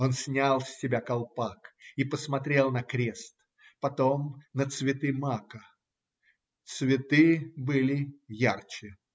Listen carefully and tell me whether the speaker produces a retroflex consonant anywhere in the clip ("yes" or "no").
no